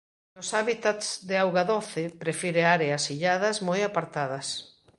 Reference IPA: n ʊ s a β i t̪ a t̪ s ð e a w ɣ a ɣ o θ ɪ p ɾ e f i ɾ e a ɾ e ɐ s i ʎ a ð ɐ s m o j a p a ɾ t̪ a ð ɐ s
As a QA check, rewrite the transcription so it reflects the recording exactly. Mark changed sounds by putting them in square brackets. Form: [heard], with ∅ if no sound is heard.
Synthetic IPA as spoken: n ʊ s a β i t̪ a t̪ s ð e a w ɣ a [ð] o θ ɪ p ɾ e f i ɾ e a ɾ e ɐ s i ʎ a ð ɐ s m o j a p a ɾ t̪ a ð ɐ s

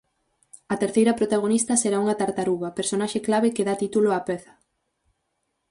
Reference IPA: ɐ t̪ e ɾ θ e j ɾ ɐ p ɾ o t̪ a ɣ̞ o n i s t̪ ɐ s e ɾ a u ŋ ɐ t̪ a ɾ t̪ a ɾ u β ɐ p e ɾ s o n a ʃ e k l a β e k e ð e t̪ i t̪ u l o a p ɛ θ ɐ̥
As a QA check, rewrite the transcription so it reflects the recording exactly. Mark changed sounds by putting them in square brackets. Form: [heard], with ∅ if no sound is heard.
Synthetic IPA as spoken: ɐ t̪ e ɾ θ e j ɾ ɐ p ɾ o t̪ a ɣ̞ o n i s t̪ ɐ s e ɾ a u ŋ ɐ t̪ a ɾ t̪ a ɾ u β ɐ p e ɾ s o n a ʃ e k l a β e k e ð [a] t̪ i t̪ u l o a p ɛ θ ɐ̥

